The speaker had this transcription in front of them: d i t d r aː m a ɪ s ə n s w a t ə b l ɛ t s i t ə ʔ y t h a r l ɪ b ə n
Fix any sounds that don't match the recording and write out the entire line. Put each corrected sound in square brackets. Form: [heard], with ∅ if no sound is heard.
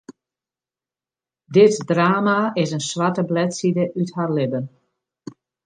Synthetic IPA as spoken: d [ɪ] t d r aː m a ɪ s ə n s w a t ə b l ɛ t s i [d] ə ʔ y t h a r l ɪ b ə n